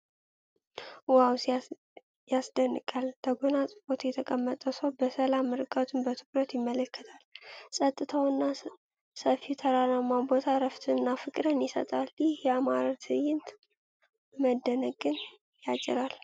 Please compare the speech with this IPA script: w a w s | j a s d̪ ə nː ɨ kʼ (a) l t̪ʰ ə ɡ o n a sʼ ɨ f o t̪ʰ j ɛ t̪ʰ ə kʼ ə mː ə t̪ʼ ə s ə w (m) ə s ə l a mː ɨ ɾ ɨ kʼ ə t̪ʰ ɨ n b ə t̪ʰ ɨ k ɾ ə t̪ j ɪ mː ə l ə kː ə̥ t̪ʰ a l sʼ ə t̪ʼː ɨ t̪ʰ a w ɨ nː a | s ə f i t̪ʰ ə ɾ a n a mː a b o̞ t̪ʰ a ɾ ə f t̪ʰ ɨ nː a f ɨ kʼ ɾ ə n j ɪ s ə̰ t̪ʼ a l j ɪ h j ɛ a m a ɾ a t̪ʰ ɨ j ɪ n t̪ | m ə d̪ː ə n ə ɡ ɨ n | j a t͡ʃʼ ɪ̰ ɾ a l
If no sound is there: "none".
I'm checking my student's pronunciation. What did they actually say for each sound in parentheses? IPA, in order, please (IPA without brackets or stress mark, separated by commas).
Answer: a, b